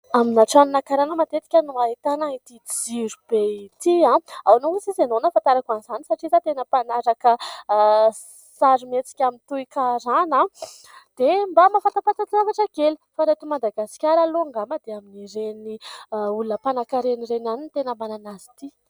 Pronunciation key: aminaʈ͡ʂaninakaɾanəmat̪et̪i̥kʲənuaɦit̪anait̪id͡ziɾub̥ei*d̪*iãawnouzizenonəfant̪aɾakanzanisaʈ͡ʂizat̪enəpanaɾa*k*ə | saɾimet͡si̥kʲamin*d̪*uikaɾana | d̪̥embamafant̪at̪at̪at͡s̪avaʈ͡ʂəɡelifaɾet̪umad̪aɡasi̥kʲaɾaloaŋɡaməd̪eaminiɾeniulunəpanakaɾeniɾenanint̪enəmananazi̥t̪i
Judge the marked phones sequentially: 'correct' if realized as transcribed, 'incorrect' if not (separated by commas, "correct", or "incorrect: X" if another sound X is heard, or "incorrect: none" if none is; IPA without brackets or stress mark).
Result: incorrect: t̪, correct, incorrect: t̪